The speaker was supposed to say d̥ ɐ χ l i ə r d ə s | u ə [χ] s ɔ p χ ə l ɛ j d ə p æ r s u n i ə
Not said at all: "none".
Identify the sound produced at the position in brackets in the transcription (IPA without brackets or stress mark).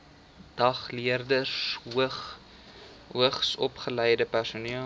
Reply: χ